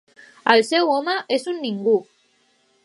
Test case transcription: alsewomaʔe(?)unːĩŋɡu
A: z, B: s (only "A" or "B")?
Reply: B